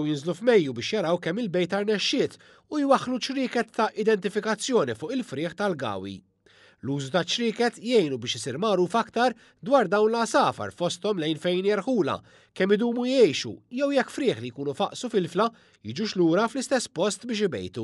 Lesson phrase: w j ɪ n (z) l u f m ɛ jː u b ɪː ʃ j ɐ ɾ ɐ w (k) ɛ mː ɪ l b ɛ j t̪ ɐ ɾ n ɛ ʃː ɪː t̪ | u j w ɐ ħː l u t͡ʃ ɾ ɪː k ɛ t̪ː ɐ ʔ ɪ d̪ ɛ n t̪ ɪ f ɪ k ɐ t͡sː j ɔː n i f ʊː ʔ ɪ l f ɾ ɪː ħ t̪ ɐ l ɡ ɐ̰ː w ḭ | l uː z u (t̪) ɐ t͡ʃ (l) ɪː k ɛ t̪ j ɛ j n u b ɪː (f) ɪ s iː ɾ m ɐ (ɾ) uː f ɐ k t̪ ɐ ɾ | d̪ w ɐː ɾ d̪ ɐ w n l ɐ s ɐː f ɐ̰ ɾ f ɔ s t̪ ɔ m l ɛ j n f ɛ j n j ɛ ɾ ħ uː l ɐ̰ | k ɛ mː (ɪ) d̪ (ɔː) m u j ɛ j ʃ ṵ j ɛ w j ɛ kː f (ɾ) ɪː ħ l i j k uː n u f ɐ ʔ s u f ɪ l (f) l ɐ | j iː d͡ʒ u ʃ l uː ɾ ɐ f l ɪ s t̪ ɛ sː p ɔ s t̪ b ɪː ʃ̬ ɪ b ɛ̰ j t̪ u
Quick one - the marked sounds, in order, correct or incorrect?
correct, correct, correct, incorrect: ɾ, incorrect: ʃ, correct, correct, incorrect: uː, correct, correct

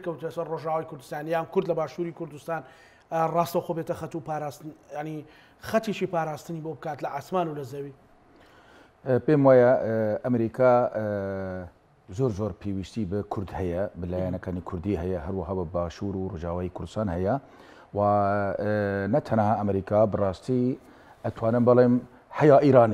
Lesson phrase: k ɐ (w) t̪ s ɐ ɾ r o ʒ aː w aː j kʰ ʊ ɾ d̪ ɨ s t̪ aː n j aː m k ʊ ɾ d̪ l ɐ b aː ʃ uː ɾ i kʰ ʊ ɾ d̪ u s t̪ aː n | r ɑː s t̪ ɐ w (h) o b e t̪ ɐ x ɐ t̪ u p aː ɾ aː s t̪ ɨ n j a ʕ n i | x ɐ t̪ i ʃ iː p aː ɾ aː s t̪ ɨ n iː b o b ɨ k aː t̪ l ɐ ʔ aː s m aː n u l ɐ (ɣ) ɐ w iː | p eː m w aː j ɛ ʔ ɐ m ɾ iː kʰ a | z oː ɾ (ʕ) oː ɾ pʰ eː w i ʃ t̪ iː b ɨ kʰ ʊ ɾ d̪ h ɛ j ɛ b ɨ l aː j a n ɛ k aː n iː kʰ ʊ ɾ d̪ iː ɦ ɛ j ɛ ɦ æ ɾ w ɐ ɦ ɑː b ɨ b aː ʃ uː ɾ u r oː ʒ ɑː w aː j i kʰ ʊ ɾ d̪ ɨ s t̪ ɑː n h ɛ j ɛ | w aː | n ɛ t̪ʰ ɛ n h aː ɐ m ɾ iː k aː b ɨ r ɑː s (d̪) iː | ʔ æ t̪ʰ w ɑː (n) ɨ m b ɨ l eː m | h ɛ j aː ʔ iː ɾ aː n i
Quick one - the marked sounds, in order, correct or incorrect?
correct, incorrect: x, incorrect: z, incorrect: z, incorrect: t̪, correct

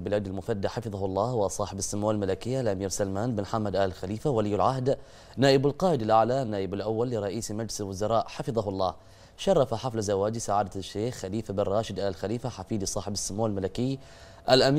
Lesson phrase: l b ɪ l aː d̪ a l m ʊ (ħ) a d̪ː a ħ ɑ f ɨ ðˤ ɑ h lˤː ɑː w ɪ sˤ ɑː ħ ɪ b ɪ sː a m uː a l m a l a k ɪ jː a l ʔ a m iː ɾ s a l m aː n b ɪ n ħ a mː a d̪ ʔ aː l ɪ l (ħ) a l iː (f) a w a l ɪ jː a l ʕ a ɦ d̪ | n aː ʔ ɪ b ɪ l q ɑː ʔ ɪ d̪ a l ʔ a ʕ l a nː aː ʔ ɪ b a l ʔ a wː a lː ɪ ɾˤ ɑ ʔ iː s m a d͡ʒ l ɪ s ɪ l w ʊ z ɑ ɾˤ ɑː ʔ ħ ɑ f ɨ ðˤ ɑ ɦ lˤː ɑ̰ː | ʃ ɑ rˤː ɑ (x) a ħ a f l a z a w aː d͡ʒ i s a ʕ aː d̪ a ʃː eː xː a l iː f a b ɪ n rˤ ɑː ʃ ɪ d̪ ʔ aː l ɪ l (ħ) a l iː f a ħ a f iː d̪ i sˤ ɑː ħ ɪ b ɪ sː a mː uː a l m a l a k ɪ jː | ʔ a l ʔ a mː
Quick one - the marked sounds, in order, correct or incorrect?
incorrect: f, incorrect: x, correct, incorrect: f, incorrect: x

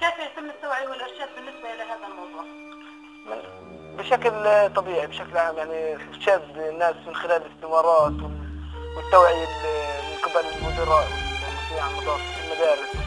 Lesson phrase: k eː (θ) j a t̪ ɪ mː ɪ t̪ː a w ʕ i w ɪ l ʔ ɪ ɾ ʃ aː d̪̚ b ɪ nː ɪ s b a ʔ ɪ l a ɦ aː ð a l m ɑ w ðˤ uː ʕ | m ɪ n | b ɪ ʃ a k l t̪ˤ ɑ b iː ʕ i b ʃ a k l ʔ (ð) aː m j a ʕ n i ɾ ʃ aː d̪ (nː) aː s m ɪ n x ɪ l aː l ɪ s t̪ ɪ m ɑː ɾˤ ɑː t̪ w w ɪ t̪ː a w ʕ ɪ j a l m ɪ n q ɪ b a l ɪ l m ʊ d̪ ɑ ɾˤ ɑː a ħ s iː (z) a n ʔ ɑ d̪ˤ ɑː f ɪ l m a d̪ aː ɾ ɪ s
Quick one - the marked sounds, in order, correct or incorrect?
incorrect: f, incorrect: ʕ, correct, incorrect: ʕ

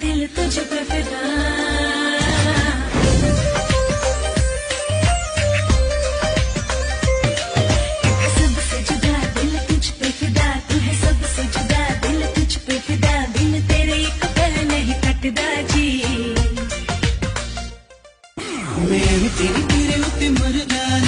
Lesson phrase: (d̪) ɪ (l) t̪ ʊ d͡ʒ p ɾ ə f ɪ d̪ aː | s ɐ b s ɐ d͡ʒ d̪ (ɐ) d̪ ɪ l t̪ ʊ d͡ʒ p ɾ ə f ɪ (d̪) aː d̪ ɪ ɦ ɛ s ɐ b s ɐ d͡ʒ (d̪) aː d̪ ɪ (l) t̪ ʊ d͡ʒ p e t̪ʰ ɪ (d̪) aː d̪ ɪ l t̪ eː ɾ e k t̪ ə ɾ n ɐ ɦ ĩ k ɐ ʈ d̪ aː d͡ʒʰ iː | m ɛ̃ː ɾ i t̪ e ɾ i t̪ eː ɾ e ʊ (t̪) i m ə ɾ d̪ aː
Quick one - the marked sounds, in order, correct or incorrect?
correct, correct, incorrect: a, correct, correct, correct, correct, correct

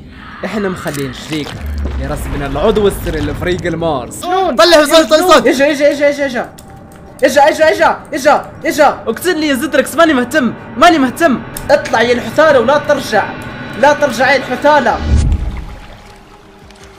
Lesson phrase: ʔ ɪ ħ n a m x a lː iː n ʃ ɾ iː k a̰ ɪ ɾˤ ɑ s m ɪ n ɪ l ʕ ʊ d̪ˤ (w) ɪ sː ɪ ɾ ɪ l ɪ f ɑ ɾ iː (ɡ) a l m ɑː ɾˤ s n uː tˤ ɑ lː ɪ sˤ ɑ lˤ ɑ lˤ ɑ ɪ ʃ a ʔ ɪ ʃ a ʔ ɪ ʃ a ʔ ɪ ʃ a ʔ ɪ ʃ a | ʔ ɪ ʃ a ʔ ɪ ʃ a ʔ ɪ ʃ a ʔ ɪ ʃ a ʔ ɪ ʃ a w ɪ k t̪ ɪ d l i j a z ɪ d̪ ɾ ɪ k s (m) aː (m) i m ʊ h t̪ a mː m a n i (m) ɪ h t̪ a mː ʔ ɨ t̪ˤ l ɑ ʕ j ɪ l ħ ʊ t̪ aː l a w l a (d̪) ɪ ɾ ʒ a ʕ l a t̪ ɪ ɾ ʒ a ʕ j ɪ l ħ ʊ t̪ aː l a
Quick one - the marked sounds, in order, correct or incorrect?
correct, correct, correct, incorrect: n, correct, incorrect: t̪

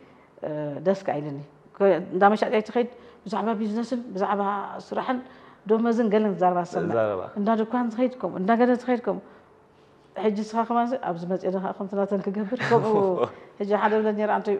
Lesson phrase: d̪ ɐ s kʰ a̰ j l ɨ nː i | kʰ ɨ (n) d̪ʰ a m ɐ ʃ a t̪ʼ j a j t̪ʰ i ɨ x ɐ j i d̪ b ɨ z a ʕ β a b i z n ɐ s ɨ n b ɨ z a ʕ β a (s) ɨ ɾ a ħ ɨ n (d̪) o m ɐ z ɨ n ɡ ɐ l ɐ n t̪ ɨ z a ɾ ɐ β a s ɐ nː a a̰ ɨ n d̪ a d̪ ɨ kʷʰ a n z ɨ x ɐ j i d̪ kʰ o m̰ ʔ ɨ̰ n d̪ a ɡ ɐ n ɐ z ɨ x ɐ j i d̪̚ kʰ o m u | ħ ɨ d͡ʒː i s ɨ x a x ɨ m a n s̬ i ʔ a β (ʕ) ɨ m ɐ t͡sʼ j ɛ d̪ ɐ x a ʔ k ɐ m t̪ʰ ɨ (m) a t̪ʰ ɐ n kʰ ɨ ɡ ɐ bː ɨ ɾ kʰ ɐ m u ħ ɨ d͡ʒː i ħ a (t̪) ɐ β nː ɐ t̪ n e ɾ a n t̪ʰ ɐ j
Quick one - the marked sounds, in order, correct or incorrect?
correct, correct, correct, incorrect: z, incorrect: n, incorrect: d̪

